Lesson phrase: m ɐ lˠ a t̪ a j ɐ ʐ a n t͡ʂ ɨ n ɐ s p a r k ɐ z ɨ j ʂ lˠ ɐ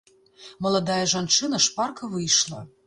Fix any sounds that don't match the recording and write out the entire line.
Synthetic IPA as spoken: m ɐ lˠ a d̪ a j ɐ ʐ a n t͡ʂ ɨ n ɐ ʂ p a r k ɐ v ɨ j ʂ lˠ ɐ